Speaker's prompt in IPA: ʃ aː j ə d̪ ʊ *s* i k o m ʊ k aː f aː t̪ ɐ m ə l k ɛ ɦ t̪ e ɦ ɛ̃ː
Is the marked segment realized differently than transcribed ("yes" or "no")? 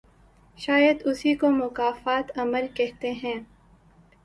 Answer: no